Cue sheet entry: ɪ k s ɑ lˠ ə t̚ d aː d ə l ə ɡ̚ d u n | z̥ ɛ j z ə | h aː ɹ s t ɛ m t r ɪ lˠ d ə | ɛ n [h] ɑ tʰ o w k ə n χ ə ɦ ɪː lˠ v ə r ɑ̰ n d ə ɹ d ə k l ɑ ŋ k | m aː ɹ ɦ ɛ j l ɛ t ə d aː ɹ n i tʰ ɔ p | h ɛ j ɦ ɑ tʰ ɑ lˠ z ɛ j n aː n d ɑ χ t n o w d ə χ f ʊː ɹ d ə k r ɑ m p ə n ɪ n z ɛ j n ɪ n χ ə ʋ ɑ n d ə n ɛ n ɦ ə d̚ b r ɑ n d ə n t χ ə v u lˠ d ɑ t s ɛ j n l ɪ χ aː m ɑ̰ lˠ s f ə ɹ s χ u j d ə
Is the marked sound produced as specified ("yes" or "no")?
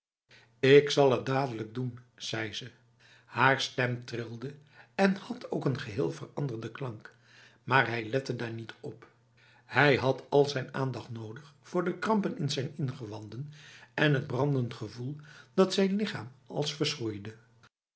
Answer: yes